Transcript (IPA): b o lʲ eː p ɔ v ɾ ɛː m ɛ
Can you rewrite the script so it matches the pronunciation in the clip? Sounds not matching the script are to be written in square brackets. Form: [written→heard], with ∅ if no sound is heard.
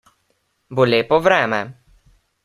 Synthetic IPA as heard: b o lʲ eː p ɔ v ɾ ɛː m ɛ